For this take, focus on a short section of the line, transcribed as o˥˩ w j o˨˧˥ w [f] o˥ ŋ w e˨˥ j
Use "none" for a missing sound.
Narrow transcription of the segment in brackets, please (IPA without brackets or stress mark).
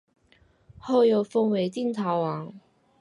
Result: f